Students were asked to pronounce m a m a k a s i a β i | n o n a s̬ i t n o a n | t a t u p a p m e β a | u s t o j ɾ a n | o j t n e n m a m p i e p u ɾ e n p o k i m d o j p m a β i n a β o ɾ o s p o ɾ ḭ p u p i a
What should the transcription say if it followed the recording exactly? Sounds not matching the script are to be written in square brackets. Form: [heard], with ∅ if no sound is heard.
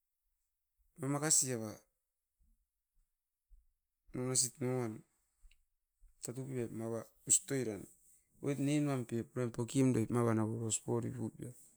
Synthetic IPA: m a m a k a s i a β [a] | n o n a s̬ i t n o a n | t a t u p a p m [a] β a | u s t o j ɾ a n | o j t n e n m a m p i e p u ɾ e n p o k i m d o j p m a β [a] n a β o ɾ o s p o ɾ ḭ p u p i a